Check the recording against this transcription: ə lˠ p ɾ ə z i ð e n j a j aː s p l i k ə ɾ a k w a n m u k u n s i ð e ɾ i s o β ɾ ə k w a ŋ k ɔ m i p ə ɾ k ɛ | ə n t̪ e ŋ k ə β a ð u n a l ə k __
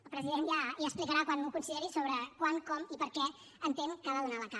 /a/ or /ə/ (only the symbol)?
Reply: a